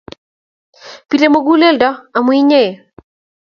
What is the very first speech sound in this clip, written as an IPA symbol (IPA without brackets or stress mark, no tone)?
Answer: p